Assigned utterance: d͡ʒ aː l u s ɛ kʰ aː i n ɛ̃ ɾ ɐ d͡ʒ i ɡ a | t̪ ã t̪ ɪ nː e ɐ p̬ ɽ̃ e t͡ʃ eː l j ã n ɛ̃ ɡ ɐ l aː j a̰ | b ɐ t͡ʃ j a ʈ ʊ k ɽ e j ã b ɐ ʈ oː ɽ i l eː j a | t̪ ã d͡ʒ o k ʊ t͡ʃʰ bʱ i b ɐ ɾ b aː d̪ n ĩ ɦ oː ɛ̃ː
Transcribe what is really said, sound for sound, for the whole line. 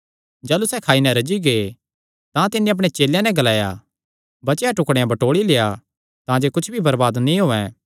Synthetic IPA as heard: d͡ʒ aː l u s ɛ kʰ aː i n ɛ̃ ɾ ɐ d͡ʒ i ɡ e | t̪ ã t̪ ɪ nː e ɐ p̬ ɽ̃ e t͡ʃ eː l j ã n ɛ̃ ɡ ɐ l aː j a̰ | b ɐ t͡ʃ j a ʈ ʊ k ɽ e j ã b ɐ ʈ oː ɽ i l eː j a | t̪ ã d͡ʒ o k ʊ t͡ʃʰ bʱ i b ɐ ɾ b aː d̪ n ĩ ɦ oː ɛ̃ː